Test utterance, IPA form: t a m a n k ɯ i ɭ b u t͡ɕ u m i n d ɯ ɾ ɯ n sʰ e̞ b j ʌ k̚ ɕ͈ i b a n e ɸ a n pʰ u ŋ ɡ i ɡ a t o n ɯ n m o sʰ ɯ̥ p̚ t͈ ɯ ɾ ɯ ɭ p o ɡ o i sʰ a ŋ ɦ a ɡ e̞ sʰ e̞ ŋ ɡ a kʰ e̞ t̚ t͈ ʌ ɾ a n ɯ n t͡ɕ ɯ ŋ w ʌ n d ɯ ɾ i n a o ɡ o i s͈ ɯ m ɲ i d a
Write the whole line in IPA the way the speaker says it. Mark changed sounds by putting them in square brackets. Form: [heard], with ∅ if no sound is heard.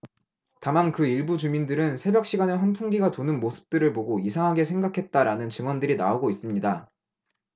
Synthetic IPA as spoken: t a m a n k ɯ i ɭ b u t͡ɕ u m i n d ɯ ɾ ɯ n sʰ e̞ b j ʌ k̚ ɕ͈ i [ɡ] a n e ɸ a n pʰ u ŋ ɡ i ɡ a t o n ɯ n m o sʰ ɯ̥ p̚ t͈ ɯ ɾ ɯ ɭ p o ɡ o i sʰ a ŋ ɦ a ɡ e̞ sʰ e̞ ŋ ɡ a kʰ e̞ t̚ t͈ [a] ɾ a n ɯ n t͡ɕ ɯ ŋ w ʌ n d ɯ ɾ i n a o ɡ o i s͈ ɯ m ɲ i d a